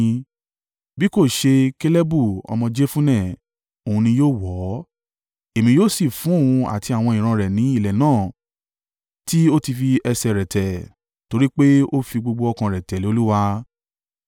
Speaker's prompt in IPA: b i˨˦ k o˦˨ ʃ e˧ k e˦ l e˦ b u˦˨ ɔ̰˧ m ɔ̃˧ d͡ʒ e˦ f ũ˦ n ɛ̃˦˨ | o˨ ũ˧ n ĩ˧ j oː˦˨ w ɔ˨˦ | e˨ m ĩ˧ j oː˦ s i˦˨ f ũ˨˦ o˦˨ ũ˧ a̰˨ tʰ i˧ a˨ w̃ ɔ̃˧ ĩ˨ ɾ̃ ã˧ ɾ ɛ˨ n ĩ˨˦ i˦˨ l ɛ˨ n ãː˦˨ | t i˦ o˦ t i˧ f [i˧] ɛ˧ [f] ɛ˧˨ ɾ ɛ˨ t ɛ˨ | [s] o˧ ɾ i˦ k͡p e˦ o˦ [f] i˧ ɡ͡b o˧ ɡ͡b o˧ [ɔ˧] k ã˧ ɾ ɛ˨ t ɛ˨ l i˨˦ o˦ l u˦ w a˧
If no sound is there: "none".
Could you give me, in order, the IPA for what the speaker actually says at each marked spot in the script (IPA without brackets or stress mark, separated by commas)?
i˧, s, t, f, ɔ˧